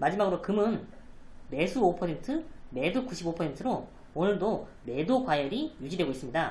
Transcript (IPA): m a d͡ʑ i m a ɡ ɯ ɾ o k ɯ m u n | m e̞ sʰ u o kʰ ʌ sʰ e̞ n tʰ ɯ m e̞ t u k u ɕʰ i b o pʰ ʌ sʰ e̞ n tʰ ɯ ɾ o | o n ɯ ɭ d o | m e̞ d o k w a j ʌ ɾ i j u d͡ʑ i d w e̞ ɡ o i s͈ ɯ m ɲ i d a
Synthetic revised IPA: m a d͡ʑ i m a ɡ ɯ ɾ o k ɯ m ɯ n | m e̞ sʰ u o pʰ ʌ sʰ e̞ n tʰ ɯ m e̞ d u k u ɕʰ i b o pʰ ʌ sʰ e̞ n tʰ ɯ ɾ o | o n ɯ ɭ d o | m e̞ d o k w a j ʌ ɾ i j u d͡ʑ i d w e̞ ɡ o i s͈ ɯ m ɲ i d a